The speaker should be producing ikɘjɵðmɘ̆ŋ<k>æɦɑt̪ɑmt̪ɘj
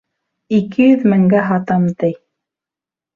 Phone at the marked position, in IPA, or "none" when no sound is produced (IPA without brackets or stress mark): ɡ